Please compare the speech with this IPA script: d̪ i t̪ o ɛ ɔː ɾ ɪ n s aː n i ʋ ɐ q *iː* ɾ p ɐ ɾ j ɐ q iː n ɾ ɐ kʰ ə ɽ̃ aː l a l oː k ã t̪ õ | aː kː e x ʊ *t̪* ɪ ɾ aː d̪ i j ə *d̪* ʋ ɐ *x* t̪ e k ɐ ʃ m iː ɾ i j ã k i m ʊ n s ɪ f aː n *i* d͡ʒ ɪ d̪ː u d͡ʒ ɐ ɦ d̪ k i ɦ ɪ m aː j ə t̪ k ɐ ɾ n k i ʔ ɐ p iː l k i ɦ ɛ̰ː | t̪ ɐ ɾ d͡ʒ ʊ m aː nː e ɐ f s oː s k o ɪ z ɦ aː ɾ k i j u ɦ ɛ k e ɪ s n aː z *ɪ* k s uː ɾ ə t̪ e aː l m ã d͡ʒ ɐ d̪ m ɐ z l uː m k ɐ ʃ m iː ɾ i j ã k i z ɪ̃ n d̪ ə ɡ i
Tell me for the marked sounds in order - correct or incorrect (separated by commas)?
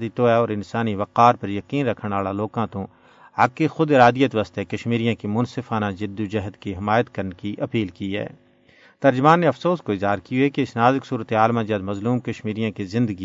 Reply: incorrect, incorrect, incorrect, incorrect, incorrect, correct